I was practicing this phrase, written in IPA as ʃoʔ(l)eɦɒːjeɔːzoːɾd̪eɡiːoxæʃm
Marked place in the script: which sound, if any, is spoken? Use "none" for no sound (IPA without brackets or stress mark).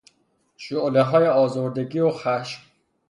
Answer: l